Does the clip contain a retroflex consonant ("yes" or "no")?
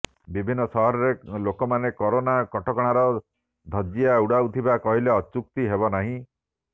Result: yes